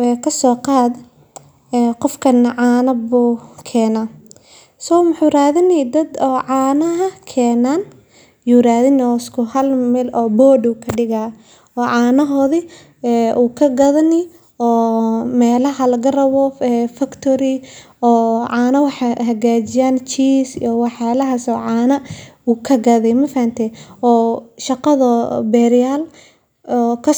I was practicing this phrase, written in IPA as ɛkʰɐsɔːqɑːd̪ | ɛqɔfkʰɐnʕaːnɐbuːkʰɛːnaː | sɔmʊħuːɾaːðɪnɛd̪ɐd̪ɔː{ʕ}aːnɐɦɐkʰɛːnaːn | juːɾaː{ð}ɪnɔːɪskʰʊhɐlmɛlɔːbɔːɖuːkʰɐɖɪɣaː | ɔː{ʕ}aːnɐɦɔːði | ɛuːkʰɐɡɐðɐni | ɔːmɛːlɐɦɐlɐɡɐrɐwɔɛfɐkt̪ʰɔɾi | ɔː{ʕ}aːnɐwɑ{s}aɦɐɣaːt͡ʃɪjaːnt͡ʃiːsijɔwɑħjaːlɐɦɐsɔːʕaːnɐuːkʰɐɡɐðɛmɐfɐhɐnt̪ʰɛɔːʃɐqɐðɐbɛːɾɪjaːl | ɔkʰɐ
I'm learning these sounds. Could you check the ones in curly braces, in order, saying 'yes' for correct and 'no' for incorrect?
yes, yes, yes, yes, no

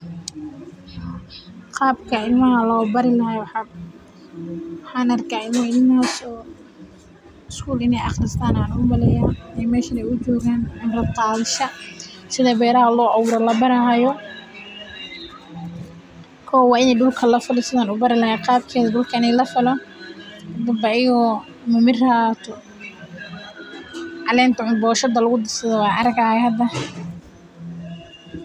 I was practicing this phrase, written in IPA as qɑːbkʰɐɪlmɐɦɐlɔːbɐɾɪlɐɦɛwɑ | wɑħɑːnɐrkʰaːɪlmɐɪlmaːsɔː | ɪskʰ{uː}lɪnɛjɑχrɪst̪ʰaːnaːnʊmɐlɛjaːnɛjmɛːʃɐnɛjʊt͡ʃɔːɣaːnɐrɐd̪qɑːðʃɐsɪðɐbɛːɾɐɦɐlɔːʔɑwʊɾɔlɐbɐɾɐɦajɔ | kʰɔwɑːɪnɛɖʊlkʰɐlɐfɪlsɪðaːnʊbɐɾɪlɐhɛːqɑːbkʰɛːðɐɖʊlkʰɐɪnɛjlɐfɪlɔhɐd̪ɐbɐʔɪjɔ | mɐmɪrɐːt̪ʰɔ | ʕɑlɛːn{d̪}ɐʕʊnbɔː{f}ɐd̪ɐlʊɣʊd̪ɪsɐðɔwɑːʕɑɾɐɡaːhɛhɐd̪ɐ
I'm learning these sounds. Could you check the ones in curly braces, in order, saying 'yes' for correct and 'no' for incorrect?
yes, no, no

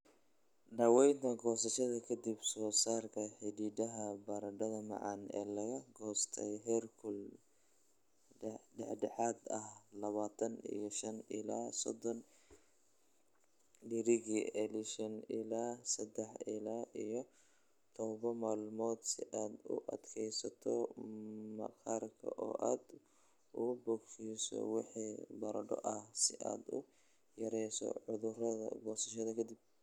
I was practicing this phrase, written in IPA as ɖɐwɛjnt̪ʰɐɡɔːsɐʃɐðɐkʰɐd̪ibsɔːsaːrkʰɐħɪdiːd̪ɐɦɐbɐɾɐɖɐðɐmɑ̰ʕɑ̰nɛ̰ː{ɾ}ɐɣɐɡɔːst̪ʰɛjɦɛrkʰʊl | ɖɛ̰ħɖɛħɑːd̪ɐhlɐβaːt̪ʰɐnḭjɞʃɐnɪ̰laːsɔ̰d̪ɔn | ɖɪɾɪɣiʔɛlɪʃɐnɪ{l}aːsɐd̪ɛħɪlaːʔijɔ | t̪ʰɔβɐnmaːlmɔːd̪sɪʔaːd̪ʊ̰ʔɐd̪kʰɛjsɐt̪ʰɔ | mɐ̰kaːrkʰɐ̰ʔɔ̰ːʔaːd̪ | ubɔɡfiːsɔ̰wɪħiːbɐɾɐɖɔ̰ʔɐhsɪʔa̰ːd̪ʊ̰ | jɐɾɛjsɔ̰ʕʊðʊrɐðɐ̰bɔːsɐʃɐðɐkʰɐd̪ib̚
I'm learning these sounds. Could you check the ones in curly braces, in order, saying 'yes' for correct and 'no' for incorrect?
no, yes

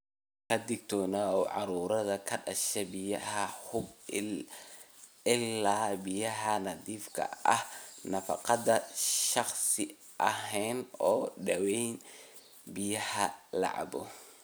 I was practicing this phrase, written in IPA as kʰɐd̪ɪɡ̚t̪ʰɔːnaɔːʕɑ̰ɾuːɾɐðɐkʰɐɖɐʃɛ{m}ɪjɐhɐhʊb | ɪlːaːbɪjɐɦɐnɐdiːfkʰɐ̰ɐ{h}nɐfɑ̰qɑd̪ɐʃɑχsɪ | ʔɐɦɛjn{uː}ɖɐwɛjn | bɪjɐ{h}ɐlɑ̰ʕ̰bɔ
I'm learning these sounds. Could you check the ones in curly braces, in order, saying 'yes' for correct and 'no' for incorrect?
no, yes, no, yes

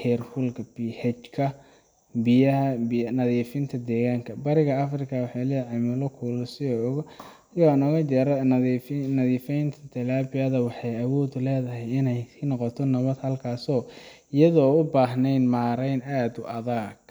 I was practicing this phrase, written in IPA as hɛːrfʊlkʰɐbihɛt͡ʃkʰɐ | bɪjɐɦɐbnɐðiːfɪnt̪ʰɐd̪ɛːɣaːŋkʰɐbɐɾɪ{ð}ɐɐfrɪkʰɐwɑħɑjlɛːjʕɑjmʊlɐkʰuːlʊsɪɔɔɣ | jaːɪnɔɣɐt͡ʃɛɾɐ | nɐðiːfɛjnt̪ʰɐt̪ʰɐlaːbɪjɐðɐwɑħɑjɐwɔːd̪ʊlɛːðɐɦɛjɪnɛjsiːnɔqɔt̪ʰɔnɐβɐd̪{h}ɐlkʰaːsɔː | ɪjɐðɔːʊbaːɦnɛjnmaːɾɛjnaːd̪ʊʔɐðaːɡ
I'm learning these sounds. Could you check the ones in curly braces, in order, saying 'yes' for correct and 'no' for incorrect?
no, yes

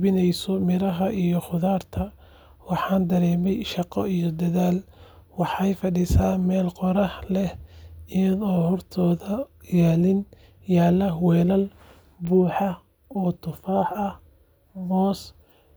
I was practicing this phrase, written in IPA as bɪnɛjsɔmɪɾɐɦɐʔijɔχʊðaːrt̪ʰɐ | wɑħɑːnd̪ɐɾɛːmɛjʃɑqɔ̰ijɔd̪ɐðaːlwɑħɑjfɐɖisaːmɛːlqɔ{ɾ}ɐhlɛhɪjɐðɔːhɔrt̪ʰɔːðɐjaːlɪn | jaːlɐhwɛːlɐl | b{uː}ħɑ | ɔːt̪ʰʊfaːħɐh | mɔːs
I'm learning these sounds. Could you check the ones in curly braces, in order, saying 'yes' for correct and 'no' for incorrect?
yes, yes

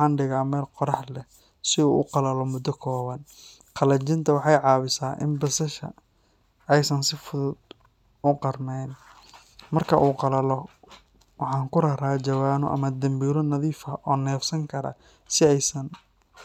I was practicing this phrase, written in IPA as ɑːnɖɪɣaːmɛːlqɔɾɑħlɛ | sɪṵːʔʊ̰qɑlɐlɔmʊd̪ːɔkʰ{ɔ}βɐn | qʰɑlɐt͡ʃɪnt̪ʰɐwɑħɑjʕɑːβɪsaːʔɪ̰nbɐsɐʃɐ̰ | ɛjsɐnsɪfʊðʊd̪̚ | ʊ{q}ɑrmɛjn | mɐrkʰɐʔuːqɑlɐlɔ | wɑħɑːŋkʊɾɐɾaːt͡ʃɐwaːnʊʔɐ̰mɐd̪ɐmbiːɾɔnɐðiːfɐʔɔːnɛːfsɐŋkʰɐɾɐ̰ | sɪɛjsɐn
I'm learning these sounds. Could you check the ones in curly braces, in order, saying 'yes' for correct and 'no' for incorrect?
no, yes

